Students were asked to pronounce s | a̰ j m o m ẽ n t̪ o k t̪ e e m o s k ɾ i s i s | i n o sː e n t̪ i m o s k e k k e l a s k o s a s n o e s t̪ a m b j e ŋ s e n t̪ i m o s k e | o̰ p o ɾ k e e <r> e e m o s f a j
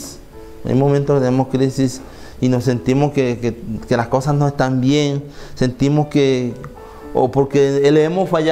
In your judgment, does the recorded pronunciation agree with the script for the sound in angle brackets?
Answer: no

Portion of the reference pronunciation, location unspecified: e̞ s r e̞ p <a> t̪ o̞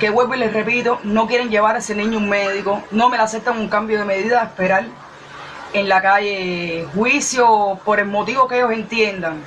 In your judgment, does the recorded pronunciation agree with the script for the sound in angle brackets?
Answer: no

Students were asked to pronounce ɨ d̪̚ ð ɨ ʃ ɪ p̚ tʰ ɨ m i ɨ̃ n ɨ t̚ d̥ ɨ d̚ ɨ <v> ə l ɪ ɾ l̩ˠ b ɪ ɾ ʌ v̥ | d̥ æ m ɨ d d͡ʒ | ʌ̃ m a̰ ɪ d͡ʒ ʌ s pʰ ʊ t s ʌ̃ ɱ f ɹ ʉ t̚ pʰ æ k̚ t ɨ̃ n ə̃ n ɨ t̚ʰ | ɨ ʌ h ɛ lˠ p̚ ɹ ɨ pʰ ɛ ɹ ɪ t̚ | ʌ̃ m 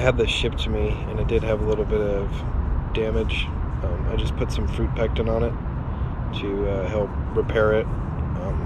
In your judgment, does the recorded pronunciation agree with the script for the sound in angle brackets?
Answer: yes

